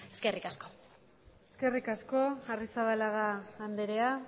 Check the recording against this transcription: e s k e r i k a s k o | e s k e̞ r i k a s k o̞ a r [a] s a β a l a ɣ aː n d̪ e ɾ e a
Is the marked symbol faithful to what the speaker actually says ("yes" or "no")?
no